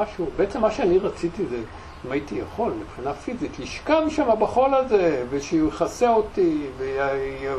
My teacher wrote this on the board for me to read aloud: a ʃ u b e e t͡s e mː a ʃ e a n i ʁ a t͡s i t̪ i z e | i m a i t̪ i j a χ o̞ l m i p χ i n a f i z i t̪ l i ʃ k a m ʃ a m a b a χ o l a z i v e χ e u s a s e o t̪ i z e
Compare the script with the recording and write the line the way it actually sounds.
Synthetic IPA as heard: a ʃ u b e e t͡s e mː a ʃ e a n i ʁ a t͡s i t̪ i z e | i m a i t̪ i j a χ o̞ l m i p χ i n a f i z i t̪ l i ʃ k a m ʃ a m a b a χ o l a z e v e ʃ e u χ a s e o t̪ i v e